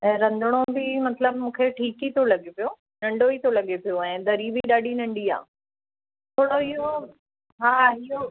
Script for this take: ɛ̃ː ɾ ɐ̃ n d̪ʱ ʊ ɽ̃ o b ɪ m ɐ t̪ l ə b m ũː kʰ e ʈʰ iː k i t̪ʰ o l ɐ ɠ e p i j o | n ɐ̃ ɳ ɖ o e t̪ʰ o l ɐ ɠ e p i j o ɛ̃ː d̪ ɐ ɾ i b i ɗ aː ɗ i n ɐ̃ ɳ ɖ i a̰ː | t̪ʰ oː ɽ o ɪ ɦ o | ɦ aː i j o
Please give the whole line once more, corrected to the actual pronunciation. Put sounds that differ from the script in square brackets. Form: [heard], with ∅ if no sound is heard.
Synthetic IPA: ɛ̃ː ɾ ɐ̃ n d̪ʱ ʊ ɽ̃ o b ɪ m ɐ t̪ l ə b m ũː kʰ e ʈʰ iː k i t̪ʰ o l ɐ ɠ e p i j o | n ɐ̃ ɳ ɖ o [i] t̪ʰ o l ɐ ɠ e p i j o ɛ̃ː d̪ ɐ ɾ i b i ɗ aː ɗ i n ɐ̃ ɳ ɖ i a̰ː | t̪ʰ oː ɽ o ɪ ɦ o | ɦ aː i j o